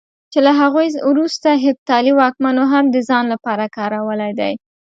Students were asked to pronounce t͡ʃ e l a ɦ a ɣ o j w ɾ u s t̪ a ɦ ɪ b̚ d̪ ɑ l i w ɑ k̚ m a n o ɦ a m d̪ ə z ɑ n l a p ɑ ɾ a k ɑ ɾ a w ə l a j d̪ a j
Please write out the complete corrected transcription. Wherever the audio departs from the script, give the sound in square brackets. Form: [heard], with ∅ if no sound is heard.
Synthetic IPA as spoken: t͡ʃ e l a ɦ a ɣ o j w ɾ u s t̪ a ɦ ɪ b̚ [t̪] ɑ l i w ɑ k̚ m a n o ɦ a m d̪ ə z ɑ n l a p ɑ ɾ a k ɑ ɾ a w ə l a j d̪ a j